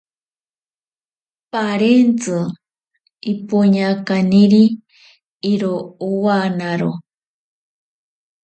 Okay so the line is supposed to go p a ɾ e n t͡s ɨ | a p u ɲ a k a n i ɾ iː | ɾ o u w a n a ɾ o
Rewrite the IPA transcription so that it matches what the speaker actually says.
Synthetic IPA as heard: p a ɾ e n t͡s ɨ | i p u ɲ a k a n i ɾ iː | ɾ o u w a n a ɾ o